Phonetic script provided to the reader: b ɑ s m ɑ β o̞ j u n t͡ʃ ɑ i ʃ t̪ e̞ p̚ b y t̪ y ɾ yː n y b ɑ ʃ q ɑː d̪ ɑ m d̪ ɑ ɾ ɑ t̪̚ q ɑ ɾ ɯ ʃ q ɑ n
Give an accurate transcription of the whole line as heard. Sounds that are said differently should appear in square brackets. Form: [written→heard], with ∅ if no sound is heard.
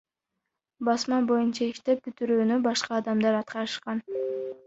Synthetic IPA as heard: b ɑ s m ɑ [β→b] o̞ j u n t͡ʃ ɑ i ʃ t̪ e̞ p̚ b y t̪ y ɾ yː n y b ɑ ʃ q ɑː d̪ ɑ m d̪ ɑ ɾ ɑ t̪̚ q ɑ ɾ ɯ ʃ q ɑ n